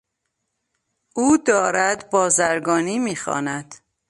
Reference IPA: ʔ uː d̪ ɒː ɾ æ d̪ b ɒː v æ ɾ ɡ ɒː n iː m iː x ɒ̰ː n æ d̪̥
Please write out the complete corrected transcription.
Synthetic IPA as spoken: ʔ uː d̪ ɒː ɾ æ d̪ b ɒː z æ ɾ ɡ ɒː n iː m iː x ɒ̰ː n æ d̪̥